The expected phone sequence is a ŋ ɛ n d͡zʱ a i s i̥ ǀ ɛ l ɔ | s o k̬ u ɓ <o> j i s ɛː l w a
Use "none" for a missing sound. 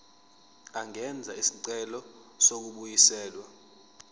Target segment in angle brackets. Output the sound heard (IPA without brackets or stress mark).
u